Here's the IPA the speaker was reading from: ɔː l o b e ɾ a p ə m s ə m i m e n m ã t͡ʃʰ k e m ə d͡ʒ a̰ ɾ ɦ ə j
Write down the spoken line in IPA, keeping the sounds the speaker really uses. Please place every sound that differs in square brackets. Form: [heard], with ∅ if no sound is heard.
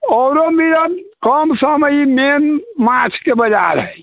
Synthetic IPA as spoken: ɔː [ɾ] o [m] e ɾ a [k] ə m s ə m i m e n m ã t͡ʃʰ k e [b] ə d͡ʒ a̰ ɾ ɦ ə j